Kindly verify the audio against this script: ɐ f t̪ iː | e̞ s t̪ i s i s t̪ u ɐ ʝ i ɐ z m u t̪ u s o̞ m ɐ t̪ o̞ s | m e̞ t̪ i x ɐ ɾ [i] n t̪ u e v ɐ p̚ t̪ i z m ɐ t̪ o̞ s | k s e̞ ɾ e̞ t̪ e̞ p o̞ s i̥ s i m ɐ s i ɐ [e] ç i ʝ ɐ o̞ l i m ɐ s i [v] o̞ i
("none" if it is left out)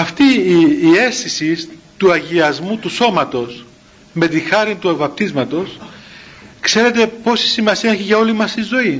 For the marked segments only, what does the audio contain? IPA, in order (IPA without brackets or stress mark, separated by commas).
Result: i, e, z